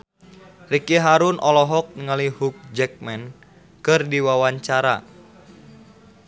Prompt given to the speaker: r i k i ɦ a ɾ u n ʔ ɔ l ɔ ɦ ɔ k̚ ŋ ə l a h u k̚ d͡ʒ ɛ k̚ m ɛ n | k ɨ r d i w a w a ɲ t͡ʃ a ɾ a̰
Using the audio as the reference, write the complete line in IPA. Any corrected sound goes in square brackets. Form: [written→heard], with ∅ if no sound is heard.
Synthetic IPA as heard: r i k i ɦ a ɾ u n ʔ ɔ l ɔ ɦ ɔ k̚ ŋ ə l [a→i] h u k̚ d͡ʒ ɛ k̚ m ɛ n | k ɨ r d i w a w a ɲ t͡ʃ a ɾ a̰